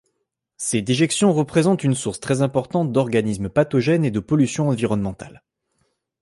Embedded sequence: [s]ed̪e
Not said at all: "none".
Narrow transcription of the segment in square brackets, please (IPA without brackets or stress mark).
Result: s